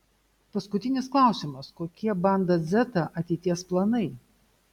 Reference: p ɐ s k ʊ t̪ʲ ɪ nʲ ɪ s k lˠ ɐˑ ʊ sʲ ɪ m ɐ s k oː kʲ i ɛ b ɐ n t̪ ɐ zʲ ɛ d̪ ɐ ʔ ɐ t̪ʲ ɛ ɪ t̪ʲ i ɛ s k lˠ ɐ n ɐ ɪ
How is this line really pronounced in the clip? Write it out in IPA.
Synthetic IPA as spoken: p ɐ s k ʊ t̪ʲ ɪ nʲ ɪ s k lˠ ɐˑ ʊ sʲ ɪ m ɐ s k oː kʲ i ɛ b ɐ n d̪ ɐ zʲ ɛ t̪ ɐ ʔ ɐ t̪ʲ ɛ ɪ t̪ʲ i ɛ s p lˠ ɐ n ɐ ɪ